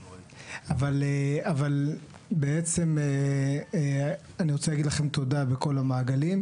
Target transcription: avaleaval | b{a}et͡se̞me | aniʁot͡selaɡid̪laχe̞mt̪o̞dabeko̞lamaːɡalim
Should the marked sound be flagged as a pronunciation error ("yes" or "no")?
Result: yes